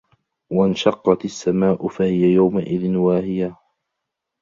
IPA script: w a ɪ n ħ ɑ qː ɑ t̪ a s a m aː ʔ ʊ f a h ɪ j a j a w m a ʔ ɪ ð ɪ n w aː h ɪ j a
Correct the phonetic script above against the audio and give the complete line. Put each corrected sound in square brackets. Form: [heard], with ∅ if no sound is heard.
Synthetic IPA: w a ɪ n [ʃ] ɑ qː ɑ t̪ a [sː] a m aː ʔ ʊ f a h ɪ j a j a w m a ʔ ɪ ð ɪ n w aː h ɪ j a